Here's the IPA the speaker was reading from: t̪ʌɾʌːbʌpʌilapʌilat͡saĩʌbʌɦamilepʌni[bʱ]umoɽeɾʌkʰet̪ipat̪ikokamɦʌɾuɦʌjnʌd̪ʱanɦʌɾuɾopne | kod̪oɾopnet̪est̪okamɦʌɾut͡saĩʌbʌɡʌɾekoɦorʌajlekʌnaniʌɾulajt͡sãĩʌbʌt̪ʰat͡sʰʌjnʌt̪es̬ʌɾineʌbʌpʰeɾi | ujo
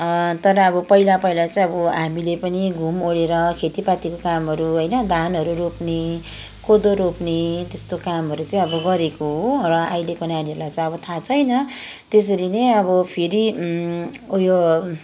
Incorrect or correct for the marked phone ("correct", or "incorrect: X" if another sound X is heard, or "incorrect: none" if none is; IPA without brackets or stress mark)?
incorrect: ɡʱ